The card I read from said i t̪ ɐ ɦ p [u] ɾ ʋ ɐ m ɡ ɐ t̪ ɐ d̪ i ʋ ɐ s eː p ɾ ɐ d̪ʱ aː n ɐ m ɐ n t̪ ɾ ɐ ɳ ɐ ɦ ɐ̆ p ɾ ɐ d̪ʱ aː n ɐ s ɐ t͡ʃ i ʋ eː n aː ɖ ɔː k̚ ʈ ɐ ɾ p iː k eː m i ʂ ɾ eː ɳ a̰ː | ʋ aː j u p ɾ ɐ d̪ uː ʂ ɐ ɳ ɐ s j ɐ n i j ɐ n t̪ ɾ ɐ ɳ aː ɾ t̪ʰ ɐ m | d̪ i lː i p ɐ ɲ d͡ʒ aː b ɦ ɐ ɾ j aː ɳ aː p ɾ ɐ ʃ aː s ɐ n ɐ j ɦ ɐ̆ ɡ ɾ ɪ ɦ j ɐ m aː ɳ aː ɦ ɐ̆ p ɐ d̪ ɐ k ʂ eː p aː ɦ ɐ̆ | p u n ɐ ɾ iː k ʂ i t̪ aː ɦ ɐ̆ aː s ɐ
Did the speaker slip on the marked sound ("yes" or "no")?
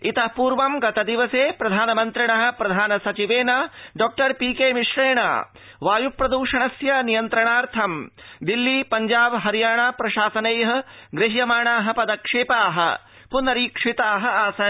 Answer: yes